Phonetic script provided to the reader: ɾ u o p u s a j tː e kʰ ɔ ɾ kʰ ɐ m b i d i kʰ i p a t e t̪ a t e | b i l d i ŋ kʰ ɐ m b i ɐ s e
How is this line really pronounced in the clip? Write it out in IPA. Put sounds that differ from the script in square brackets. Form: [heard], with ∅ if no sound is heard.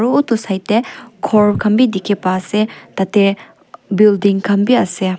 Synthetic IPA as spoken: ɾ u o [t] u s a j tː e kʰ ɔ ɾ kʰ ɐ m b i d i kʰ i p a [s] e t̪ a t e | b i l d i ŋ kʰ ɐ m b i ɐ s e

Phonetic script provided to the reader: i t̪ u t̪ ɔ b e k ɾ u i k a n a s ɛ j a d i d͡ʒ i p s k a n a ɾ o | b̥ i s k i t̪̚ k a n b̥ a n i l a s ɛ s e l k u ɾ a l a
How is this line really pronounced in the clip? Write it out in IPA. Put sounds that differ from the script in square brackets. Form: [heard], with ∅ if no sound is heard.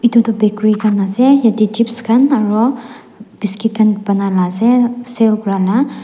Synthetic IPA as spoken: i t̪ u t̪ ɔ b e k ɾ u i k a n a s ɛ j a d i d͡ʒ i p s k a n a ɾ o | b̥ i s k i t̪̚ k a n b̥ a n [a] l a s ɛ s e l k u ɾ a l a

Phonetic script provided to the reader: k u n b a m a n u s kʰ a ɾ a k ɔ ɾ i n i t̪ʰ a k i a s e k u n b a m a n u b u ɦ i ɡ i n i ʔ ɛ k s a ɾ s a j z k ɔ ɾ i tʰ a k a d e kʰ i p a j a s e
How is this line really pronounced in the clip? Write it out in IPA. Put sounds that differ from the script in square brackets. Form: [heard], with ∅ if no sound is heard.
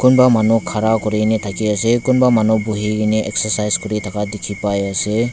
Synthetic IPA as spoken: k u n b a m a n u [∅] kʰ a ɾ a k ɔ ɾ i n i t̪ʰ a k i a s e k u n b a m a n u b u ɦ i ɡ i n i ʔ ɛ k s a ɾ s a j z k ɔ ɾ i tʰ a k a d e kʰ i p a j a s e

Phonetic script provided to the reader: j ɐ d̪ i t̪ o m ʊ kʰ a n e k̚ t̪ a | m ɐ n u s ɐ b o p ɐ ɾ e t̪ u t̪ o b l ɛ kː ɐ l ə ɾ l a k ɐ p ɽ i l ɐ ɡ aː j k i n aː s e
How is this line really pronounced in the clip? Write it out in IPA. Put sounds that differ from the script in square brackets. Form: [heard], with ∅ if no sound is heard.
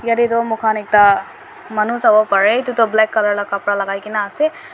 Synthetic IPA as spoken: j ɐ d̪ i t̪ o m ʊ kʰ a n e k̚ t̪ a | m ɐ n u s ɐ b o p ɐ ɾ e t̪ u t̪ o b l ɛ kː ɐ l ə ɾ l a k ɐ p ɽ [a] l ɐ ɡ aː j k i n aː s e

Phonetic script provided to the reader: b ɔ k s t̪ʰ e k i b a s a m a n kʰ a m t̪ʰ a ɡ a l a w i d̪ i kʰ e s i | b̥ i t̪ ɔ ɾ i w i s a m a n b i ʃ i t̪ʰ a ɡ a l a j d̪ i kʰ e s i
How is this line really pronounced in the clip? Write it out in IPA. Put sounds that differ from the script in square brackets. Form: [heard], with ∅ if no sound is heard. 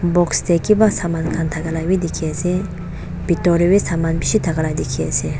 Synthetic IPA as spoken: b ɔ k s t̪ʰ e k i b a s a m a n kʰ a [n] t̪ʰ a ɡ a l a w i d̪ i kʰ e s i | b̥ i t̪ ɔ ɾ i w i s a m a n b i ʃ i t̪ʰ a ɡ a l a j d̪ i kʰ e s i

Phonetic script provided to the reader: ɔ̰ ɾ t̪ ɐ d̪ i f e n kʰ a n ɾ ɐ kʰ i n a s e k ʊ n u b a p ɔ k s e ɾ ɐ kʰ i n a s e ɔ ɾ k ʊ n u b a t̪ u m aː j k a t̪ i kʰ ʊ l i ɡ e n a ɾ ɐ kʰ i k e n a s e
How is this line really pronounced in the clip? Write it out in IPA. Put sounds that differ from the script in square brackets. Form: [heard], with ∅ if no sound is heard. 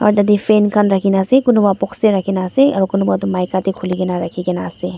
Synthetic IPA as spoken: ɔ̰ ɾ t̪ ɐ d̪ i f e n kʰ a n ɾ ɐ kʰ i n a s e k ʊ n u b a p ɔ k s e ɾ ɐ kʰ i n a s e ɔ ɾ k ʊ n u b a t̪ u m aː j k a t̪ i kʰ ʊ l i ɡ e n a ɾ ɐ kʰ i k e n a s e

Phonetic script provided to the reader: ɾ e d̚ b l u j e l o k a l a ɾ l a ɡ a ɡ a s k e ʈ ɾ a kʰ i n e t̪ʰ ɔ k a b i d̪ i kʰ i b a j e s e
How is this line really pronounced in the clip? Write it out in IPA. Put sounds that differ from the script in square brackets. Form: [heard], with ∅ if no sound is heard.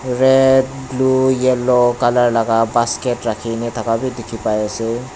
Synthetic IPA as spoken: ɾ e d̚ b l u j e l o k a l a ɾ l a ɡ a [b] a s k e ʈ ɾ a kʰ i n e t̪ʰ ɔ k a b i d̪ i kʰ i [p] a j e s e

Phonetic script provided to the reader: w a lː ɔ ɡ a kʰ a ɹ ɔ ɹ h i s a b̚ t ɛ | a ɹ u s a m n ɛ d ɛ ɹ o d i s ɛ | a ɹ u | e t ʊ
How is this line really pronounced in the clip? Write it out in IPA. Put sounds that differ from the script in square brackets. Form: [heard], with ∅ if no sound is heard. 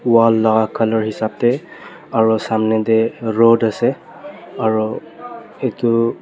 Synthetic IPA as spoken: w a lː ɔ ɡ a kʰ a [l] ɔ ɹ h i s a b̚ t ɛ | a ɹ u s a m n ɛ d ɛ ɹ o d [a] s ɛ | a ɹ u | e t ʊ

